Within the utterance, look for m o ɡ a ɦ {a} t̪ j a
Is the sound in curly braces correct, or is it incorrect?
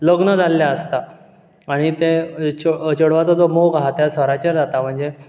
correct